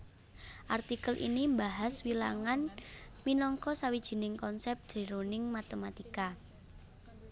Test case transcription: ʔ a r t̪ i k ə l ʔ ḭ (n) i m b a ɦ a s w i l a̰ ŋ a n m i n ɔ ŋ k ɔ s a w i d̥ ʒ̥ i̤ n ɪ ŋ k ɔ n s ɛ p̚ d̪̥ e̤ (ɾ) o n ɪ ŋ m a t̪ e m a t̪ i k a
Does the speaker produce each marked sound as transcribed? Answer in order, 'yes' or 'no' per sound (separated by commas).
yes, yes